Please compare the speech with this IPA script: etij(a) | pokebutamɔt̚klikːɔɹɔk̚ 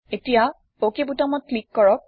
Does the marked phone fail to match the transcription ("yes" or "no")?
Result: no